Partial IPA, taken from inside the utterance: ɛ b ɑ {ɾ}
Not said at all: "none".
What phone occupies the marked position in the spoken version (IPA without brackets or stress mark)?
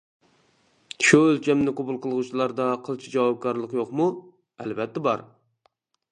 ɾ